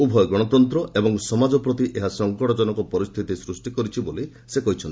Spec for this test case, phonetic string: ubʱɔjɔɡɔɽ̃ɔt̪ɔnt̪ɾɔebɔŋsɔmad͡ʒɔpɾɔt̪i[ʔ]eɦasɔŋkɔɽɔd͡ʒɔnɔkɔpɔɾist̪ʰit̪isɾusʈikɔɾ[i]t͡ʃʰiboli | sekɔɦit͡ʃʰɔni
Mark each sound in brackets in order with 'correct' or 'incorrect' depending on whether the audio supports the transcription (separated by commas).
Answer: correct, correct